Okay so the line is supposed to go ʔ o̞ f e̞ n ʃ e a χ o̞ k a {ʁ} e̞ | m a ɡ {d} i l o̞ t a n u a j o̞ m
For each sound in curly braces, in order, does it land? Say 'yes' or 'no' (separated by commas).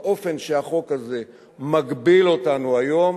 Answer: no, no